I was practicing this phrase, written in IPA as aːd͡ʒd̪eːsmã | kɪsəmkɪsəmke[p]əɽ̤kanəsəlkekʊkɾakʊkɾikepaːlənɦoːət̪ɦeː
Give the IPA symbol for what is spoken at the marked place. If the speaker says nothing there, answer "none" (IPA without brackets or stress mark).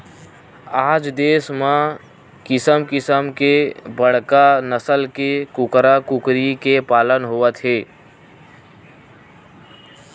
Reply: b